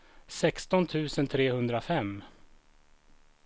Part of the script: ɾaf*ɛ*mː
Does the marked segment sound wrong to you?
no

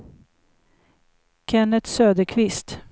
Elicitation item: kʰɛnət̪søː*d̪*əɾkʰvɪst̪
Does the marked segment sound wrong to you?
no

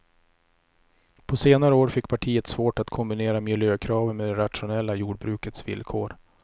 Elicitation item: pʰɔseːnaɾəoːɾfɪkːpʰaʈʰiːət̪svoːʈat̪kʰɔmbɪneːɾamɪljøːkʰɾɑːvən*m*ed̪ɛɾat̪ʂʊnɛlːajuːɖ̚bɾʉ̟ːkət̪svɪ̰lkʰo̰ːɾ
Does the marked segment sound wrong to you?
no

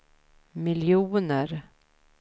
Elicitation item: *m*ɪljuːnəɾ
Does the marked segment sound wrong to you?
no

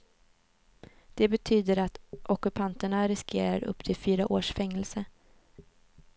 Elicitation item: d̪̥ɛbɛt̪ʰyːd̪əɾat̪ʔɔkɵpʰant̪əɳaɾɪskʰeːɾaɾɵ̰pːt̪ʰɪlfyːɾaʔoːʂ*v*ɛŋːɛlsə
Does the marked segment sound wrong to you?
yes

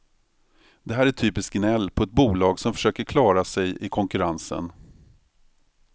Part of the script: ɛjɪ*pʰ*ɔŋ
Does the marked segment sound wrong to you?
yes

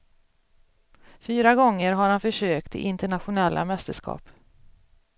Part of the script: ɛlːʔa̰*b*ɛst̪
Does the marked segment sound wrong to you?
yes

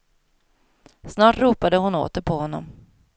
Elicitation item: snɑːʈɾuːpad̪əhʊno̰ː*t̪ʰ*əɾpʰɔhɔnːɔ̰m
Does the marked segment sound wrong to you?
yes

